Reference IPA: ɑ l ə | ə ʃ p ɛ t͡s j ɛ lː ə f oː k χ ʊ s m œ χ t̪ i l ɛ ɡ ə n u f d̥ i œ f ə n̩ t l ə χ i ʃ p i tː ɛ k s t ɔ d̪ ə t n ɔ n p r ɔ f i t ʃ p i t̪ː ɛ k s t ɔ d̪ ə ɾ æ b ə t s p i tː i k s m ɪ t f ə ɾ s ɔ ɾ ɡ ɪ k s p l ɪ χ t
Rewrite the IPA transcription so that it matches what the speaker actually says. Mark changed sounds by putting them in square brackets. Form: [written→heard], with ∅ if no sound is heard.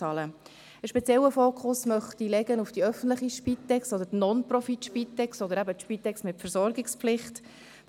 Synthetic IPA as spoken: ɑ l ə | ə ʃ p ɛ t͡s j ɛ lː ə f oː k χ ʊ s m œ χ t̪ i l ɛ ɡ ə n u f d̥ i œ f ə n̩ t l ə χ i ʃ p i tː ɛ k s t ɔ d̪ ə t n ɔ n p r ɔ f i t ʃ p i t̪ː ɛ k s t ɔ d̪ ə ɾ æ b ə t [s→ʃ] p i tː [i→ɛ] k s m ɪ t f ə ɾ s ɔ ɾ ɡ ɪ k s p l ɪ χ t

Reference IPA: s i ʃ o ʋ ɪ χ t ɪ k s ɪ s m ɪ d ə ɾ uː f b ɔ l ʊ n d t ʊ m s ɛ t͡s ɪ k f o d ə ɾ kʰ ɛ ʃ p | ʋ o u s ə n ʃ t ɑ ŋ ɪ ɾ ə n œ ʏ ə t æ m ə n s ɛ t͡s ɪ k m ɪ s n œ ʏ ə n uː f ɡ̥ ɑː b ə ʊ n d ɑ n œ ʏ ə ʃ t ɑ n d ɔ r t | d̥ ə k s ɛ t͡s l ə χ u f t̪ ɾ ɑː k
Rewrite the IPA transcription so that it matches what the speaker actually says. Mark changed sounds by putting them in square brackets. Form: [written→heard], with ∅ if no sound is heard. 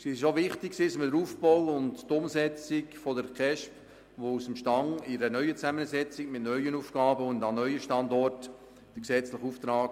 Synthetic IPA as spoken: s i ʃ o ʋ ɪ χ t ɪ k s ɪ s m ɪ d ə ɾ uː f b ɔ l ʊ n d t ʊ m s ɛ t͡s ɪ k f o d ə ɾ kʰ ɛ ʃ p | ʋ o u s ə [n→m] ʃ t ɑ ŋ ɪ ɾ ə n œ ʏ ə [t→t͡s] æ m ə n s ɛ t͡s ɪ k m ɪ [s→t] n œ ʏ ə n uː f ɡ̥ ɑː b ə ʊ n d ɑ n œ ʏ ə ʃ t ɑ n d ɔ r t | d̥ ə k s ɛ t͡s l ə χ u f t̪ ɾ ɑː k

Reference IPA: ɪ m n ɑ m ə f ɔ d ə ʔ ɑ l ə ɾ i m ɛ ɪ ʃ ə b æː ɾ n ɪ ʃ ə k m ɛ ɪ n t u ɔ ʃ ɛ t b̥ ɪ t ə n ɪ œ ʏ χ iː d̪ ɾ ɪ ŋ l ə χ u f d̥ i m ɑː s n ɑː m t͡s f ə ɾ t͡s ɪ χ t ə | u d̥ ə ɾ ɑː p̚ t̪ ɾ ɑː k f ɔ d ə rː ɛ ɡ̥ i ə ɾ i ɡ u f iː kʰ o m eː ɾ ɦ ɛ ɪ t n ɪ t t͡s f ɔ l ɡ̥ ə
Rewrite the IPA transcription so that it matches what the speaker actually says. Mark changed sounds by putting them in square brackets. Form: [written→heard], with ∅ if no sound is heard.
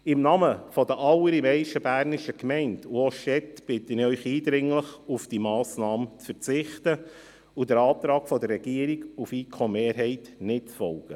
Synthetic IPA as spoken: ɪ m n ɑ m ə f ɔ d ə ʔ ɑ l ə ɾ i m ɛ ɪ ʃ ə b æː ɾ n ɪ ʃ ə k m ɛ ɪ n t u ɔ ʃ ɛ t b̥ ɪ t ə n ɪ œ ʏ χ iː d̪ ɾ ɪ ŋ l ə χ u f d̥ i m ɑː s n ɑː m t͡s f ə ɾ t͡s ɪ χ t ə | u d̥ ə ɾ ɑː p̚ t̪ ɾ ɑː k f ɔ d ə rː ɛ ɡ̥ i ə ɾ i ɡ u f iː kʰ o m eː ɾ ɦ ɛ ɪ t n ɪ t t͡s f ɔ l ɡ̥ ə

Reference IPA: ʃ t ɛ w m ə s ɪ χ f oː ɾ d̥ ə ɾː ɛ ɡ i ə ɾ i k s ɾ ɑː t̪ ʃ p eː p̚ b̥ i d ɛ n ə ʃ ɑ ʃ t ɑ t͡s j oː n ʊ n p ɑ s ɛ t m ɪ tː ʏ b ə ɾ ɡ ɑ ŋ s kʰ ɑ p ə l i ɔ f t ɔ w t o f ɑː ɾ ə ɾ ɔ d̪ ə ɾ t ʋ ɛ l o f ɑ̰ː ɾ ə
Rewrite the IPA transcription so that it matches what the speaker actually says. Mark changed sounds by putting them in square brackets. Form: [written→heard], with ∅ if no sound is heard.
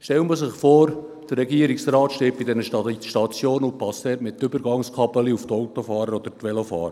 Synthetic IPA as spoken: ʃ t ɛ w m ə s ɪ χ f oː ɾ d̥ ə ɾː ɛ ɡ i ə ɾ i k s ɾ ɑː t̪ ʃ [p→t] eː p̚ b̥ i d ɛ n ə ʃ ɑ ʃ t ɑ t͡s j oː n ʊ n p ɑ s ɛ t m ɪ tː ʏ b ə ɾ ɡ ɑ ŋ s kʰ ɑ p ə l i [ɔ→u] f t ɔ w t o f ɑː ɾ ə ɾ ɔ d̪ ə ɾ t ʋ ɛ l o f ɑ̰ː ɾ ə

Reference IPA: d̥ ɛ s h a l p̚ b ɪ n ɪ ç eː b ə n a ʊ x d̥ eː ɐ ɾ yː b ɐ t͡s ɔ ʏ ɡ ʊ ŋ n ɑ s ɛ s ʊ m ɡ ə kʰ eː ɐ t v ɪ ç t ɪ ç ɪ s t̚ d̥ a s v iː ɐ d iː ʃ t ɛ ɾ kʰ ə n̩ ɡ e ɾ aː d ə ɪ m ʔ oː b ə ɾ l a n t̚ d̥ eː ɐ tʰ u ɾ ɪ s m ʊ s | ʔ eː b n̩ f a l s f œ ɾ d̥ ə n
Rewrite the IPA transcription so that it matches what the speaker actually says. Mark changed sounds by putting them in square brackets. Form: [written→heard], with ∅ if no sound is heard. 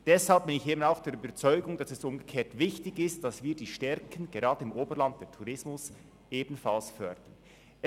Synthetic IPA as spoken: d̥ ɛ s h a l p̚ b ɪ n ɪ ç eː b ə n a ʊ x d̥ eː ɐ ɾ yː b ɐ t͡s ɔ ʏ ɡ ʊ ŋ [n→d] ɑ s ɛ s ʊ m ɡ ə kʰ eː ɐ t v ɪ ç t ɪ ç ɪ s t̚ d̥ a s v iː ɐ d iː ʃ t ɛ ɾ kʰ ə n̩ ɡ e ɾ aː d ə ɪ m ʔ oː b ə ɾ l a n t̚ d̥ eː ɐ tʰ u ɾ ɪ s m ʊ s | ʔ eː b n̩ f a l s f œ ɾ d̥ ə n

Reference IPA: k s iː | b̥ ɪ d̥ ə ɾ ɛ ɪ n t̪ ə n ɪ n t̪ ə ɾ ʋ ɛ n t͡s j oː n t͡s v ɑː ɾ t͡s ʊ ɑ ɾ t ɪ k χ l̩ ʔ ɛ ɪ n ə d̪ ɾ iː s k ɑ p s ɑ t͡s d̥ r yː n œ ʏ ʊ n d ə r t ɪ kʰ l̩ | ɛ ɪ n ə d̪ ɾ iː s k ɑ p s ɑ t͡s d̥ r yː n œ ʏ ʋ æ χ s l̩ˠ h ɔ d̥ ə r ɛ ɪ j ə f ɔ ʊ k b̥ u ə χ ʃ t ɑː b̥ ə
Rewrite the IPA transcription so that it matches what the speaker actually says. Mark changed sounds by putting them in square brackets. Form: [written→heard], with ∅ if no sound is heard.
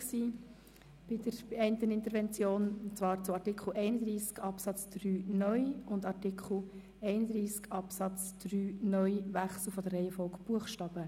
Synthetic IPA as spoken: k s iː | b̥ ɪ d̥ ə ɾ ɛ ɪ n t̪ ə n ɪ n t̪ ə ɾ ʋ ɛ n t͡s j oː n t͡s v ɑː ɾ t͡s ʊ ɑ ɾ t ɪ k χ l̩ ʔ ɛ ɪ n ə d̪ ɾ iː s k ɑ p s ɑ t͡s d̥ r yː n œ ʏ ʊ n d [ə→ɑ] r t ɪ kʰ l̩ | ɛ ɪ n ə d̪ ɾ iː s k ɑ p s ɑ t͡s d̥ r yː n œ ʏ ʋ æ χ s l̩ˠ [h→f] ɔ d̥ ə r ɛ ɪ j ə f ɔ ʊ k b̥ u ə χ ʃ t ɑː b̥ ə

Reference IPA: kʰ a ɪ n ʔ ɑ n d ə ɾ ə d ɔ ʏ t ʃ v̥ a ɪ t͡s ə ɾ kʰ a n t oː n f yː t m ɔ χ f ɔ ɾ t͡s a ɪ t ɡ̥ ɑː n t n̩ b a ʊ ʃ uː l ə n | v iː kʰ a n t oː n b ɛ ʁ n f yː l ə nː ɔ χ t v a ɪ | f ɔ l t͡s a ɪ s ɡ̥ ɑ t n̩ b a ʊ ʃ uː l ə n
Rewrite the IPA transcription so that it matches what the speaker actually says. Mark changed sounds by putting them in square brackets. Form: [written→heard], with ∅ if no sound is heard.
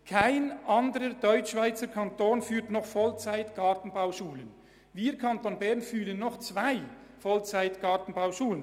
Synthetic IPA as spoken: kʰ a ɪ n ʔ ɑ n d ə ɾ ə d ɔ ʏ [t→t͡ʃ] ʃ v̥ a ɪ t͡s ə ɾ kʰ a n t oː n f yː t [m→n] ɔ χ f ɔ [ɾ→l] t͡s a ɪ t ɡ̥ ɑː [n→∅] t n̩ b a ʊ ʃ uː l ə n | v iː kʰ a n t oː n b ɛ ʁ n f yː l ə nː ɔ χ [t→t͡s] v a ɪ | f ɔ l t͡s a ɪ [s→t] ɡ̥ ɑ t n̩ b a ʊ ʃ uː l ə n

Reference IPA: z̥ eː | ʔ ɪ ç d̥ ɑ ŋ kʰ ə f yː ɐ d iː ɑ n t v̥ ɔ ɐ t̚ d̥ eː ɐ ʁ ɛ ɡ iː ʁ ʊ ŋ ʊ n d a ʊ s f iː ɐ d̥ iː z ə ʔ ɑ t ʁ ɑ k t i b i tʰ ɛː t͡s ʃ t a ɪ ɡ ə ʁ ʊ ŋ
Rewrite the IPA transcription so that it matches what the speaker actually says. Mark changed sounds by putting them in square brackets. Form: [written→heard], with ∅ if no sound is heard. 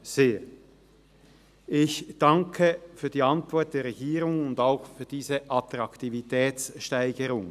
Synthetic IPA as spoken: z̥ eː | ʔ ɪ ç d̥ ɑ ŋ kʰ ə f yː ɐ d iː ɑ n t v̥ ɔ ɐ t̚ d̥ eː ɐ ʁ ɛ ɡ iː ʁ ʊ ŋ ʊ n d a ʊ [s→x] f [iː→yː] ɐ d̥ iː z ə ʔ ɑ t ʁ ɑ k t i [b→v] i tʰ ɛː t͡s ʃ t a ɪ ɡ ə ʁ ʊ ŋ

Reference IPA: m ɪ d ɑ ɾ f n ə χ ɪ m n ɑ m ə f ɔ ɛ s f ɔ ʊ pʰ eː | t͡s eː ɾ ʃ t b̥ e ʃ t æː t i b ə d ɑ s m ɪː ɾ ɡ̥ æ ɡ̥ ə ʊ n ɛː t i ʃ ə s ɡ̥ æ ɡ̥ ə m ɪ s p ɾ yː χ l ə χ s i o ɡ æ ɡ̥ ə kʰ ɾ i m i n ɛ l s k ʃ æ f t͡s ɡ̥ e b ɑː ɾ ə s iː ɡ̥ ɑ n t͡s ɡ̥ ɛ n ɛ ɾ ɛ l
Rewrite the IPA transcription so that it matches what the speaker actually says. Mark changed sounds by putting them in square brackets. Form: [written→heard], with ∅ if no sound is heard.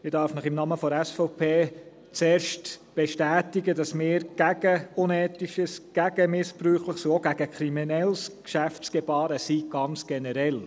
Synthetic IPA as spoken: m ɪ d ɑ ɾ f n ə χ ɪ m n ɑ m ə f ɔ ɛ s f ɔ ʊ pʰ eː | t͡s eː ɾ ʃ t b̥ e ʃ t æː t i [b→ɡ] ə d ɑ s m ɪː ɾ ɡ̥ æ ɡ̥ ə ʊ n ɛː t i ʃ ə s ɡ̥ æ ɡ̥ ə m ɪ s p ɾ yː χ l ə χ s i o ɡ æ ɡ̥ ə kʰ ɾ i m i n ɛ l s k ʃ æ f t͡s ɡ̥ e b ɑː ɾ ə s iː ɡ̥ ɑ n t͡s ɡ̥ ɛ n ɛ ɾ ɛ l

